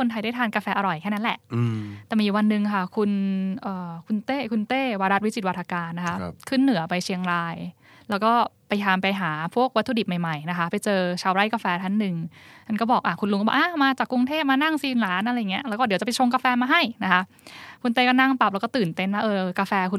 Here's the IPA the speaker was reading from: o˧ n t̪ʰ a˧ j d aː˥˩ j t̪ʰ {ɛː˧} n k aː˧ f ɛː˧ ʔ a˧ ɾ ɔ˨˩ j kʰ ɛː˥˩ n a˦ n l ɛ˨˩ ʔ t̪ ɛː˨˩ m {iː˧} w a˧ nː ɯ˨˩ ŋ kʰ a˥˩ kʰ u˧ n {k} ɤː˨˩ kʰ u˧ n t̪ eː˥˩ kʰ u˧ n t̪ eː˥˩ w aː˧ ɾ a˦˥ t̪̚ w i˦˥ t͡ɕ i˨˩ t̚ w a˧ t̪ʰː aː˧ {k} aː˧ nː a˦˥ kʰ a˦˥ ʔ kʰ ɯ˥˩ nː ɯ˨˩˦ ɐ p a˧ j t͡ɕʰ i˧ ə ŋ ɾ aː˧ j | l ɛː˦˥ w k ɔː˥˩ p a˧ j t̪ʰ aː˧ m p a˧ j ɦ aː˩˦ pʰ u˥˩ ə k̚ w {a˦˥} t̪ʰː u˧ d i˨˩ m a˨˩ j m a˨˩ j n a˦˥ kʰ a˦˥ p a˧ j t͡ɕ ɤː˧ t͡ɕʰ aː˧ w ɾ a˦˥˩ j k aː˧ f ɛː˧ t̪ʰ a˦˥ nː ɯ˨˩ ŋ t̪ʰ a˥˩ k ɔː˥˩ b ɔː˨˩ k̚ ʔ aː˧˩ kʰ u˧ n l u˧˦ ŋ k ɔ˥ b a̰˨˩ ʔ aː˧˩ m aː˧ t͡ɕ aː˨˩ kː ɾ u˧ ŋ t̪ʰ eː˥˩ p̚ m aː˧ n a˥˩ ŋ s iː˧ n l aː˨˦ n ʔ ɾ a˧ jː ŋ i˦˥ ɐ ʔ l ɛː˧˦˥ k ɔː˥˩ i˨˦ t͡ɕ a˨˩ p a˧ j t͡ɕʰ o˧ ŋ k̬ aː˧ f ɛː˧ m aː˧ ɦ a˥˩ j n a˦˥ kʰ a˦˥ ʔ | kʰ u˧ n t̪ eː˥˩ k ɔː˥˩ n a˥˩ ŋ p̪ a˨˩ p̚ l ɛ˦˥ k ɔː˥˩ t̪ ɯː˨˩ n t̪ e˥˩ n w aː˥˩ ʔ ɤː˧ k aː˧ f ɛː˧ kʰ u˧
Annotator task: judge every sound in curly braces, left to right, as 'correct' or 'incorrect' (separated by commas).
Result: incorrect, correct, incorrect, correct, correct